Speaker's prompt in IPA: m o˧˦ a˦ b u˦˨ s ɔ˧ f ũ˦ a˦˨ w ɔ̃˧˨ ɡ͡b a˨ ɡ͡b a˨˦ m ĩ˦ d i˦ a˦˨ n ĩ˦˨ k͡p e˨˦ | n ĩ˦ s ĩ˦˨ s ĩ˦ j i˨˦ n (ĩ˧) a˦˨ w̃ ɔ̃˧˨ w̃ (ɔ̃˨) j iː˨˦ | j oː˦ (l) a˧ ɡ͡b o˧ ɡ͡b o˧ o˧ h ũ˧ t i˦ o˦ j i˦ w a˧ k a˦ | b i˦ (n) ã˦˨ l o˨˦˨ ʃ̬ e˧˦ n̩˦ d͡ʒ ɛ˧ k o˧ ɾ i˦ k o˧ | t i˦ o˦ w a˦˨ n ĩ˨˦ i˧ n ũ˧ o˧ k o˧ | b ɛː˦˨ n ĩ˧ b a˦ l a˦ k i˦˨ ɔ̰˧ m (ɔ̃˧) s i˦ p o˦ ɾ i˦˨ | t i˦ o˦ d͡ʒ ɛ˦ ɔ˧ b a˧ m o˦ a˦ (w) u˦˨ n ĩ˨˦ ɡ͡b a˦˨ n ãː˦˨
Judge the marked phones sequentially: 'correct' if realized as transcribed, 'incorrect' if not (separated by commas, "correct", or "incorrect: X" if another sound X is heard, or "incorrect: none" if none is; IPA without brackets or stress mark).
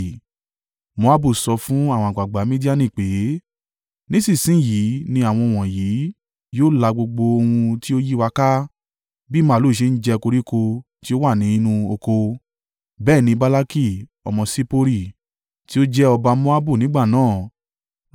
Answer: correct, correct, correct, incorrect: m, correct, incorrect: b